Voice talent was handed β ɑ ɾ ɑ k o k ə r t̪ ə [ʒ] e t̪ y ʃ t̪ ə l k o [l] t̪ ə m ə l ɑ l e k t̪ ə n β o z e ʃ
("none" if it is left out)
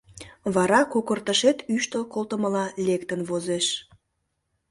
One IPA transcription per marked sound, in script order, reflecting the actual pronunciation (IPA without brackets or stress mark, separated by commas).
ʃ, l